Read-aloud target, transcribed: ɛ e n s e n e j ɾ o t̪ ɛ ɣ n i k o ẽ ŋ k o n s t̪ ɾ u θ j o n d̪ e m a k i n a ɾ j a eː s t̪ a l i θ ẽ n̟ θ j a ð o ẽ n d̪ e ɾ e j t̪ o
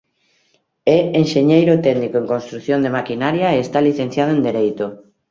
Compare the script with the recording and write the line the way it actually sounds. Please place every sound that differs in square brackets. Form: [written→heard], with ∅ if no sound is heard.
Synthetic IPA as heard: ɛ e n [s→ʃ] e [n→ɲ] e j ɾ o t̪ ɛ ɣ n i k o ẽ ŋ k o n s t̪ ɾ u θ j o n d̪ e m a k i n a ɾ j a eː s t̪ a l i θ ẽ n̟ θ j a ð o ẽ n d̪ e ɾ e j t̪ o